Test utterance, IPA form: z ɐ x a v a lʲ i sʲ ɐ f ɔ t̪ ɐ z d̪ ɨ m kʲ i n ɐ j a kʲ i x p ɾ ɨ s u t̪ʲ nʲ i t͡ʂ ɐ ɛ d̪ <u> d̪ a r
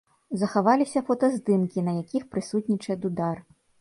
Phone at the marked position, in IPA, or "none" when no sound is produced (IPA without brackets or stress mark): u